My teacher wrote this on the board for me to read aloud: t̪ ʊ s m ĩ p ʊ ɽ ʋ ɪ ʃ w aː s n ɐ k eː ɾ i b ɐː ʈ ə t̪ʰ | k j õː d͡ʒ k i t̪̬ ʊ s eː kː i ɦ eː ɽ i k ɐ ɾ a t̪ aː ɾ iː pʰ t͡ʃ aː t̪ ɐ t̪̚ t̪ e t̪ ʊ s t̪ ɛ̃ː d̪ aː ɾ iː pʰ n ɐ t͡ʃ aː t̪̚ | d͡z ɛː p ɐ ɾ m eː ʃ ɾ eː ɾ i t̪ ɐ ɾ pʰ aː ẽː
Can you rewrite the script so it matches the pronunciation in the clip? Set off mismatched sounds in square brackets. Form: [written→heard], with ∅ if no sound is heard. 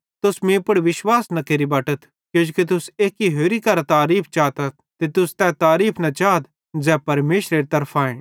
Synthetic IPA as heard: t̪ ʊ s m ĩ p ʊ ɽ ʋ ɪ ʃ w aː s n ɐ k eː ɾ i b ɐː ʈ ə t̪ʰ | k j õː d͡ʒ k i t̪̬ ʊ s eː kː i ɦ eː [ɽ→ɾ] i k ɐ ɾ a t̪ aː ɾ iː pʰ t͡ʃ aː t̪ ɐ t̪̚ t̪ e t̪ ʊ s t̪ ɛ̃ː [d̪→t̪] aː ɾ iː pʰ n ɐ t͡ʃ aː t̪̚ | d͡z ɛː p ɐ ɾ m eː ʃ ɾ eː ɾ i t̪ ɐ ɾ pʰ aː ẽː